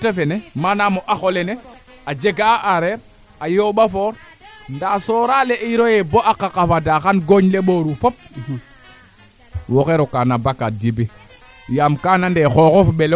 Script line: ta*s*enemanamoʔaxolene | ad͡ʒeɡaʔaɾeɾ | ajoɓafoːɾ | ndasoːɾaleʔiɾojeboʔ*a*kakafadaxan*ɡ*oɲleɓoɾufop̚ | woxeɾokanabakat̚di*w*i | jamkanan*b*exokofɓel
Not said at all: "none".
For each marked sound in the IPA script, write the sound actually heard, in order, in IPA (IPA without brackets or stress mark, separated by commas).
f, a, ɡ, b, d